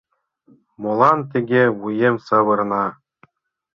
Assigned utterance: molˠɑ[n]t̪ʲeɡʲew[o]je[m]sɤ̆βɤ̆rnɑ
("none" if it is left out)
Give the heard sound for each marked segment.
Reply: n, u, m

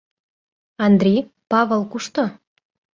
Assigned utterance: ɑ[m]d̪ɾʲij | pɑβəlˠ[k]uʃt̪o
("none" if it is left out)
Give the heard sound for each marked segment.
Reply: n, k

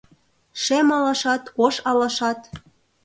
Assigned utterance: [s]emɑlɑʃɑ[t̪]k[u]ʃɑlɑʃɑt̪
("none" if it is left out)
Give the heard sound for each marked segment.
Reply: ʃ, t̪, o

